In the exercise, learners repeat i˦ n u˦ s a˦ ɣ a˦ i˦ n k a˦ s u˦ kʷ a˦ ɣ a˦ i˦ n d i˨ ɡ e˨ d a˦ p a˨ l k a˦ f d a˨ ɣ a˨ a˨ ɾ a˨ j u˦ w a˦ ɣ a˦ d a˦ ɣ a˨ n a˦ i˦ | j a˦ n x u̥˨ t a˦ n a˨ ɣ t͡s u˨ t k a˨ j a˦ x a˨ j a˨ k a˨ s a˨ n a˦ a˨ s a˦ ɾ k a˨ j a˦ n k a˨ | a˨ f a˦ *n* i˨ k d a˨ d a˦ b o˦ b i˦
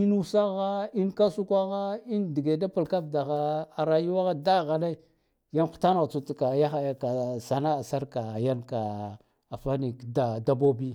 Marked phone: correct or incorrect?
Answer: correct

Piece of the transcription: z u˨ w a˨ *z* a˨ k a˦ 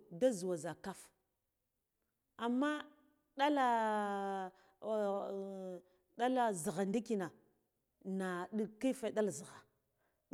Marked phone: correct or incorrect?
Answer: correct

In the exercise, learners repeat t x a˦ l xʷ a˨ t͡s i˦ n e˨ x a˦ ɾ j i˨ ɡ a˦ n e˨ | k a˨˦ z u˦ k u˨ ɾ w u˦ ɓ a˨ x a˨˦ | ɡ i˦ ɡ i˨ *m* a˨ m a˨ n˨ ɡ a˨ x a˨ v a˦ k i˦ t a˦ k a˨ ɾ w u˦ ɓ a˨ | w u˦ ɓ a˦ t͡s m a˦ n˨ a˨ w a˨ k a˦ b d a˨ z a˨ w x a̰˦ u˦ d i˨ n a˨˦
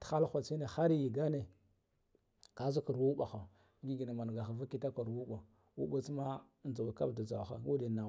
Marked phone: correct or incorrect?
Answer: incorrect: n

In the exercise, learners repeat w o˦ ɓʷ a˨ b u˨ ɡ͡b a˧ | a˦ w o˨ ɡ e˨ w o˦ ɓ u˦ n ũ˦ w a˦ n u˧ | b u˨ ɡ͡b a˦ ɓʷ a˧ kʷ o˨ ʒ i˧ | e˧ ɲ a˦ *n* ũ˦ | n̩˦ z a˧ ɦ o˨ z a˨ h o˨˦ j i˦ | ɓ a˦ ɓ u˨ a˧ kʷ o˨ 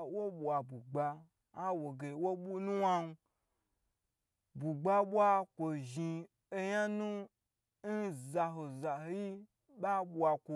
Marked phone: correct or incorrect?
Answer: correct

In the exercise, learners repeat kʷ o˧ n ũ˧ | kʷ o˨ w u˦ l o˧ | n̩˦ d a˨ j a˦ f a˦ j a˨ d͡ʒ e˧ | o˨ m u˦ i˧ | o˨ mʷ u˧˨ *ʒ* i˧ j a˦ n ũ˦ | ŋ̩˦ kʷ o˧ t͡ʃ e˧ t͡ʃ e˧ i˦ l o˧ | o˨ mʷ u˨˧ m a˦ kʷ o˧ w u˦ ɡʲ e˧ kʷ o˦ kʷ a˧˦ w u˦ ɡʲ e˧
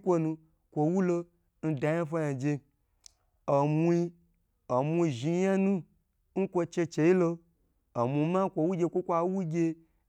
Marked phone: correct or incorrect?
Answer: correct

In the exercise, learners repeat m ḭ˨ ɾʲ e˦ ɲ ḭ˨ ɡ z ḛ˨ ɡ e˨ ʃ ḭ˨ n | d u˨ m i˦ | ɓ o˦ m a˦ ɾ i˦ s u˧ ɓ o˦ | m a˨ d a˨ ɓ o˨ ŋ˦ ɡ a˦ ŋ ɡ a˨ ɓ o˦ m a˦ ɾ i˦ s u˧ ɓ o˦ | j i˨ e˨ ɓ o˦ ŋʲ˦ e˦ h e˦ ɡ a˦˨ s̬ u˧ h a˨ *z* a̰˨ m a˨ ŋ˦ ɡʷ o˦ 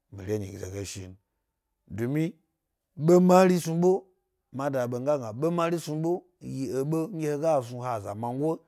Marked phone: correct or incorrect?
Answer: correct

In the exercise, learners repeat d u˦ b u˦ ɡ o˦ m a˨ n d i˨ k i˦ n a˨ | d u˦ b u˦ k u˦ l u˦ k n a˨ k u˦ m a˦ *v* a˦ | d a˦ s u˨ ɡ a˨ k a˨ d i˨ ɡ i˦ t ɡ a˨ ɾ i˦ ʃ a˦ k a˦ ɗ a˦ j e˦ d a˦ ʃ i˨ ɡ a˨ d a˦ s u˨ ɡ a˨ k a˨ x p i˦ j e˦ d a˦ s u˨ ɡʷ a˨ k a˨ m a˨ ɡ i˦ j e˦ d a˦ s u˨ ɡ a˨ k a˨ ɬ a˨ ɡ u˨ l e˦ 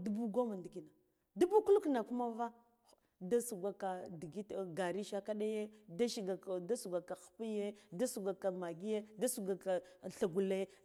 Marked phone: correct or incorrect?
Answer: correct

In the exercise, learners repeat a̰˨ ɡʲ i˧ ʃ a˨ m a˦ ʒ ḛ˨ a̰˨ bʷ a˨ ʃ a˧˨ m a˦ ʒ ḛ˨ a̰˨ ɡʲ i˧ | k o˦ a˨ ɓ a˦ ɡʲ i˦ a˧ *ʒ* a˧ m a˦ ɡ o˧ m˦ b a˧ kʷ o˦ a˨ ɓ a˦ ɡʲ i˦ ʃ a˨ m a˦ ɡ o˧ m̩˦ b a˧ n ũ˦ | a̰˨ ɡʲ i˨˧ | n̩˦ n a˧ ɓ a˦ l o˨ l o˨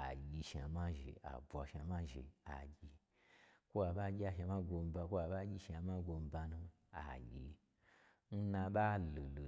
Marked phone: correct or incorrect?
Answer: incorrect: ʃ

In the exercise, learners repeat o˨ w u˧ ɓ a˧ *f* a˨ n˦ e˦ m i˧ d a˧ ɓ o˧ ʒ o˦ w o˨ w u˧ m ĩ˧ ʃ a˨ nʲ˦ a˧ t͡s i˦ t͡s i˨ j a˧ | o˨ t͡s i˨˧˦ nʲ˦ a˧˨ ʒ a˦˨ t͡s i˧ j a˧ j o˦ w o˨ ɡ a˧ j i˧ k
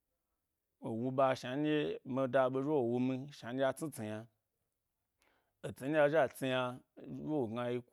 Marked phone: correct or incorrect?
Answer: incorrect: ʃ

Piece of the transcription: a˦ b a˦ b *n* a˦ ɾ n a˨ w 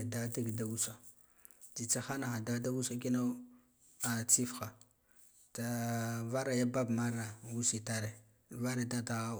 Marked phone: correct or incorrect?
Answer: incorrect: m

